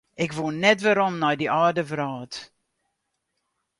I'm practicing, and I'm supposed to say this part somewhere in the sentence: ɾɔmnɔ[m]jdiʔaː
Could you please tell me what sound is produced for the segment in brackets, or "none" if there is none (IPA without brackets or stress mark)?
none